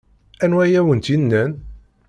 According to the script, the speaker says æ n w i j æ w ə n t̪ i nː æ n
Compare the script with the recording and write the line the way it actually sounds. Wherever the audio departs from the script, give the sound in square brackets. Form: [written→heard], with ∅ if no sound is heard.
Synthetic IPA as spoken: æ n w [i→æ] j æ w ə n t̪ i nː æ n